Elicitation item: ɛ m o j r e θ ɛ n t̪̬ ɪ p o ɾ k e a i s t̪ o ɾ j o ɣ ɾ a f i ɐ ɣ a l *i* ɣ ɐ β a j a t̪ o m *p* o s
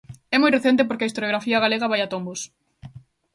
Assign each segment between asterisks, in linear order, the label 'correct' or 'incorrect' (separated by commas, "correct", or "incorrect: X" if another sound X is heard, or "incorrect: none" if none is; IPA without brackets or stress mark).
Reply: incorrect: e, incorrect: b